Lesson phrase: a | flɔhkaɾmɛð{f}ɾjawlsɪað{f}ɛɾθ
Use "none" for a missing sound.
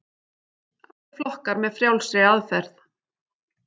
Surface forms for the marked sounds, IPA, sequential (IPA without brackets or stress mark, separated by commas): f, f